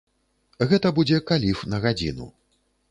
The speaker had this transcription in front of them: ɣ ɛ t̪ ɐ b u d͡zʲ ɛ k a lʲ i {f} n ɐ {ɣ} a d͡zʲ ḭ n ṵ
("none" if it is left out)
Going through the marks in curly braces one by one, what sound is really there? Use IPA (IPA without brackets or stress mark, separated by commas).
f, ɣ